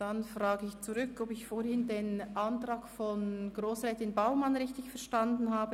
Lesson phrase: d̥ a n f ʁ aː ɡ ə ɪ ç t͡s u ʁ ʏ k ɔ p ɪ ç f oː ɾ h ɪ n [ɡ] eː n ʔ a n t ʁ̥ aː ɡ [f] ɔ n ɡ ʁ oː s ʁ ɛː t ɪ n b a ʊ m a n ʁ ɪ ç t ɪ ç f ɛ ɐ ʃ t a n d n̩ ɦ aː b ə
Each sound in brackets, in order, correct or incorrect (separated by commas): incorrect, correct